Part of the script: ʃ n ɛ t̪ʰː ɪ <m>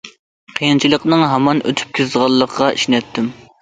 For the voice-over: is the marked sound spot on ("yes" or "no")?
yes